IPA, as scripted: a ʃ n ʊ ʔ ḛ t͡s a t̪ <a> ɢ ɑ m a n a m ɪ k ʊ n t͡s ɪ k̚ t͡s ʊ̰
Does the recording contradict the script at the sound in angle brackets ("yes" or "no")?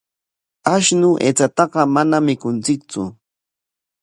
yes